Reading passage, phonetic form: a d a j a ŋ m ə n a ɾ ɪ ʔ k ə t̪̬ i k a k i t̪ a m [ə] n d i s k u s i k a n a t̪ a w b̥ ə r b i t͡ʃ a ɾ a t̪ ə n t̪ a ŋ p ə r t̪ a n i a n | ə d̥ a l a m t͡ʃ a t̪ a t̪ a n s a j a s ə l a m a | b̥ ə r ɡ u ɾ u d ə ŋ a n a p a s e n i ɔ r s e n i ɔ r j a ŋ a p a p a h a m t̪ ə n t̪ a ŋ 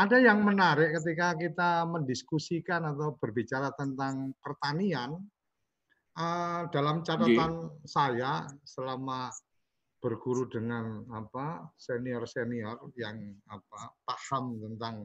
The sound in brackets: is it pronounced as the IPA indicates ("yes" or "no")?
yes